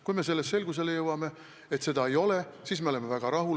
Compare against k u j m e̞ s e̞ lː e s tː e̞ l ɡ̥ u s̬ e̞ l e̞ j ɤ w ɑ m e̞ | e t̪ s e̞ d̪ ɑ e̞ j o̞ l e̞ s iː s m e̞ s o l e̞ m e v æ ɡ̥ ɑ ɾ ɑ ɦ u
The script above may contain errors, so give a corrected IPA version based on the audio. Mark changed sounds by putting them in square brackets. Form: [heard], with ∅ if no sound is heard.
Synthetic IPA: k u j m e̞ s e̞ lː e s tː e̞ l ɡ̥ u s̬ e̞ l e̞ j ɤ w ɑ m e̞ | e t̪ s e̞ d̪ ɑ e̞ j o̞ l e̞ s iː s m e̞ [∅] o l e̞ m e v æ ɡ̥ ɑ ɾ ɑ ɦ u